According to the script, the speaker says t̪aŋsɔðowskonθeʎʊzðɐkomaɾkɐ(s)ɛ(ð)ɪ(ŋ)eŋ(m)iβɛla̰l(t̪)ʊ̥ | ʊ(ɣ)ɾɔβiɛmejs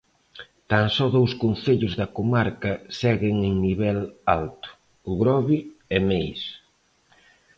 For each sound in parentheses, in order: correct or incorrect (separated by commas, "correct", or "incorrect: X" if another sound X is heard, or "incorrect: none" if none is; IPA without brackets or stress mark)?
correct, incorrect: ɣ, correct, incorrect: n, correct, correct